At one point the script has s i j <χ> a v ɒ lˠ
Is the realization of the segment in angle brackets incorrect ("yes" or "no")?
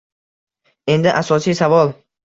yes